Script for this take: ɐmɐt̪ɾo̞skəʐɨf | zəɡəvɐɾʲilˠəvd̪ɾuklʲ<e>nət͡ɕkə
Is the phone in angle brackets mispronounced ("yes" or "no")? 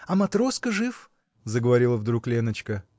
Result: no